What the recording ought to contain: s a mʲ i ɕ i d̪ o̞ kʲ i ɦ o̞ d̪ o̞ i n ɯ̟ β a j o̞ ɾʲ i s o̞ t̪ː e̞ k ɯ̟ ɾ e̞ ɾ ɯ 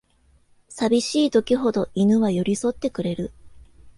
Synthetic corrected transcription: s a bʲ i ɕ iː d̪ o̞ kʲ i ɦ o̞ d̪ o̞ i n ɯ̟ β a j o̞ ɾʲ i s o̞ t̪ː e̞ k ɯ̟ ɾ e̞ ɾ ɯ